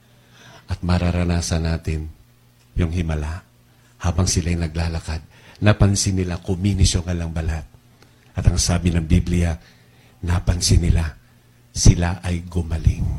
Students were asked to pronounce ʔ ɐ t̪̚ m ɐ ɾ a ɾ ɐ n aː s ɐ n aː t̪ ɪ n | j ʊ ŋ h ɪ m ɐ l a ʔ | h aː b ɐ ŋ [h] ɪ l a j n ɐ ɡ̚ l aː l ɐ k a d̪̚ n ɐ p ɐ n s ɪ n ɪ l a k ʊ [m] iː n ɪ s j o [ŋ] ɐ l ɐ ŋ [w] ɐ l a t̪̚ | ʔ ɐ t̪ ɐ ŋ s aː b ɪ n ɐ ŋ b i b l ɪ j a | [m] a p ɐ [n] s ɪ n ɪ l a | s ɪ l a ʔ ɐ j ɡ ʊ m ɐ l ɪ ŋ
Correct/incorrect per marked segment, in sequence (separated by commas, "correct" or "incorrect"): incorrect, correct, correct, incorrect, incorrect, correct